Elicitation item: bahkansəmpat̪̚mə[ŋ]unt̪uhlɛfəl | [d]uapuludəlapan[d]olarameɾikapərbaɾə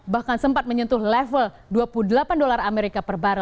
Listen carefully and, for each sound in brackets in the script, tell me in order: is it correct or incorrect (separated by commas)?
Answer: incorrect, correct, correct